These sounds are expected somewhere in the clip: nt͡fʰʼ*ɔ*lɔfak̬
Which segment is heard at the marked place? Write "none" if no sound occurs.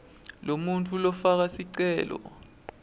u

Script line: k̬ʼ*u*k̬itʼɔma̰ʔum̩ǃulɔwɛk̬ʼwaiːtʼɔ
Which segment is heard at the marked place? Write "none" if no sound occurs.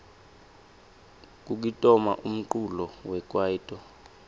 u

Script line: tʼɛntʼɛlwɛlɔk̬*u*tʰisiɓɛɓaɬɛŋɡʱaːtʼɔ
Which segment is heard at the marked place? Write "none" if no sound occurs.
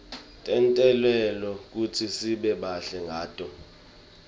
u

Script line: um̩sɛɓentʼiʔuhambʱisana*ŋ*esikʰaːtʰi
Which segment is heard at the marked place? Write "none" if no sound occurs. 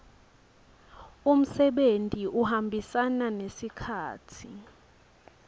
n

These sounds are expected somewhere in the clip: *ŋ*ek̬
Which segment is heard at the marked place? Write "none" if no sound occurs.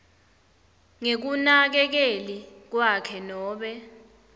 ŋ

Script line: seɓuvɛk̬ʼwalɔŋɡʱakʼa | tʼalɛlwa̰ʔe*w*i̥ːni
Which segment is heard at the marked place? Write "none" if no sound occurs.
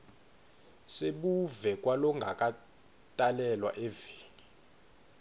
v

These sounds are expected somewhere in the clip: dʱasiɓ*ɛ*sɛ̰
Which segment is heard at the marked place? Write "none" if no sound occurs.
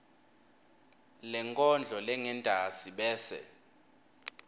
ɛː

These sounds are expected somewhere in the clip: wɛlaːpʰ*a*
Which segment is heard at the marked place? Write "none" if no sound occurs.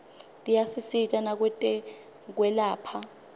a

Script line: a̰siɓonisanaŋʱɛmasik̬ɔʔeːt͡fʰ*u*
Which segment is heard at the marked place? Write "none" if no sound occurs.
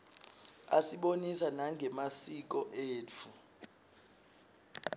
u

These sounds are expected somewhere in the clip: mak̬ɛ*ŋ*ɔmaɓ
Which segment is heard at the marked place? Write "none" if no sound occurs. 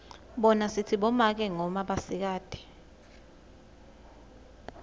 ŋ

